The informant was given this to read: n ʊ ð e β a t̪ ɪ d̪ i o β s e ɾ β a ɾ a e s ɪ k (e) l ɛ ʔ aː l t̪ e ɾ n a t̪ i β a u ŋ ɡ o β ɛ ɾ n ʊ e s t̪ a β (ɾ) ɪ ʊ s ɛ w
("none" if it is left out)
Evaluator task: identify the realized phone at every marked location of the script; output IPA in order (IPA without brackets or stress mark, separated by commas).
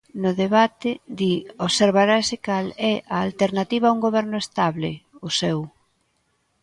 a, l